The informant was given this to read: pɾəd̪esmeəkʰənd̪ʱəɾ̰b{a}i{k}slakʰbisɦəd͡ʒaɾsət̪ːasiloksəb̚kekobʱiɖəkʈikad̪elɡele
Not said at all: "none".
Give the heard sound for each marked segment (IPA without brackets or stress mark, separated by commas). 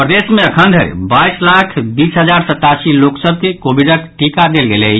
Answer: a, none